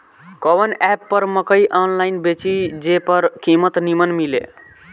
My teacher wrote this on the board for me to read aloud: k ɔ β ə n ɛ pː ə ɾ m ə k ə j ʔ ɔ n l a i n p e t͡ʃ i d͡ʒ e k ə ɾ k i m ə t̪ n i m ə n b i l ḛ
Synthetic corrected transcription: k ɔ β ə n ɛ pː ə ɾ m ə k ə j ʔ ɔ n l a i n b e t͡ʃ i d͡ʒ e p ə ɾ k i m ə t̪ n i m ə n m i l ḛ